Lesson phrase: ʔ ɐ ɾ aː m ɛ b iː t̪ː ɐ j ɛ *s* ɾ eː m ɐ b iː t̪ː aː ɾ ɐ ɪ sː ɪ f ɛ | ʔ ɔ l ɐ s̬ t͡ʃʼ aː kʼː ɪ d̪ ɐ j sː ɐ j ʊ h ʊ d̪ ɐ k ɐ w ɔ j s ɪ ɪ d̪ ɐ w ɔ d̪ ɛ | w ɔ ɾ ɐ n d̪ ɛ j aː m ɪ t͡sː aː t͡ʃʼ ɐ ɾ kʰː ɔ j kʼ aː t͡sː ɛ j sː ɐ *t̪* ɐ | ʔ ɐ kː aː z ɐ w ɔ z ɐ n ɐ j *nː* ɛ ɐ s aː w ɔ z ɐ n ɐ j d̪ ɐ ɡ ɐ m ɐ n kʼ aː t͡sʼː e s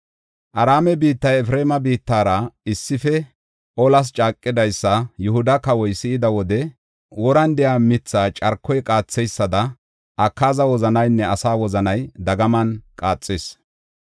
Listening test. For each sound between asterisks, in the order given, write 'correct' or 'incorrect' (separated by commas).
incorrect, incorrect, correct